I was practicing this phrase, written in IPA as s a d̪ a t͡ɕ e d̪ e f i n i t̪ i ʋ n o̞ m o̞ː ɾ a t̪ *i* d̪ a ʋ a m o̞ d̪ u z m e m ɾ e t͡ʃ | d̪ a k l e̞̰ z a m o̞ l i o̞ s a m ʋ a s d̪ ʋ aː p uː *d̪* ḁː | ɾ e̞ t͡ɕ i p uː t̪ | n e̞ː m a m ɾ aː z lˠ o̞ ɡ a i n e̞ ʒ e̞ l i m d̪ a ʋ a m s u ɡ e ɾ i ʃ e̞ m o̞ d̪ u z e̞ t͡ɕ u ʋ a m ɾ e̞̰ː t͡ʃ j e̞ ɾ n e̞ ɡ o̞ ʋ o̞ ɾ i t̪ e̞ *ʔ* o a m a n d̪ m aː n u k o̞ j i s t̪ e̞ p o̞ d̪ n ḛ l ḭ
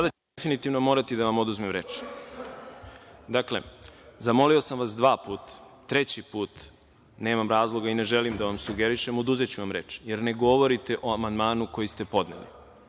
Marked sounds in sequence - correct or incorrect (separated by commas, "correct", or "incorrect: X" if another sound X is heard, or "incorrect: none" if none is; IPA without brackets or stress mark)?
correct, incorrect: t̪, correct